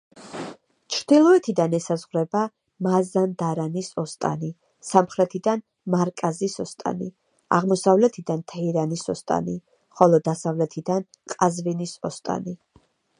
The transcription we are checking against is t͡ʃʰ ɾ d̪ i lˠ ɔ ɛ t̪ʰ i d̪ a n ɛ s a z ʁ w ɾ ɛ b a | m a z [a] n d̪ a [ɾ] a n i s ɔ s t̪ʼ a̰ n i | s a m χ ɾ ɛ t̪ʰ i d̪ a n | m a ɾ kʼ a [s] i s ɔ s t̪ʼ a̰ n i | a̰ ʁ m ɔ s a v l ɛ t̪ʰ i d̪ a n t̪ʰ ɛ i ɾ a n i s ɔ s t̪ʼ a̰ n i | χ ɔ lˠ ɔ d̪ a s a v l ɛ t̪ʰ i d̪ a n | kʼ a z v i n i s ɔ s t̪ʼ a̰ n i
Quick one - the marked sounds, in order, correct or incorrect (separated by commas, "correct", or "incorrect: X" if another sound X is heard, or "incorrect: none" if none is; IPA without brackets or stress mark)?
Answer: correct, correct, incorrect: z